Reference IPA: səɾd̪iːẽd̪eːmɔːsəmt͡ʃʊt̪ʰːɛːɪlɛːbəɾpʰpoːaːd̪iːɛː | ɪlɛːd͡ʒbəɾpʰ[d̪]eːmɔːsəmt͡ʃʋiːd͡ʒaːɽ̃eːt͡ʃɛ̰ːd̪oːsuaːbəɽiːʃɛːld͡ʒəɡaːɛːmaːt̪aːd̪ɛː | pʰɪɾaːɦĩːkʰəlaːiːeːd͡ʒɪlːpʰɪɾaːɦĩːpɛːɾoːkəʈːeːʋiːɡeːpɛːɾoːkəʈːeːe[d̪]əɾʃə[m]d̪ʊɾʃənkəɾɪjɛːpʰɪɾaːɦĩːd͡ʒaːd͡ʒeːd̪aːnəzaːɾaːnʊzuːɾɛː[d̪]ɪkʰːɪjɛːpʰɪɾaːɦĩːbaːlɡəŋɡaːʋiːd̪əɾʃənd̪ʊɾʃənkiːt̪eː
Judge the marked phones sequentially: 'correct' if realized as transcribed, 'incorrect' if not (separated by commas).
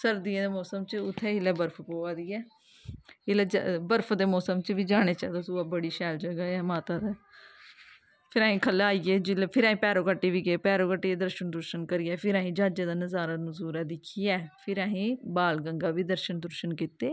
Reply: correct, correct, incorrect, correct